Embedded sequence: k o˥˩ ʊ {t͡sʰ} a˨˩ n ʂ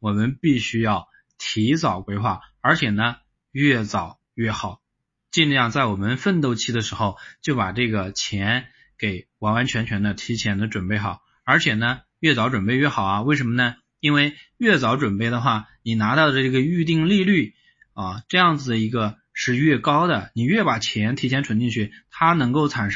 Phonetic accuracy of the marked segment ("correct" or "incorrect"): correct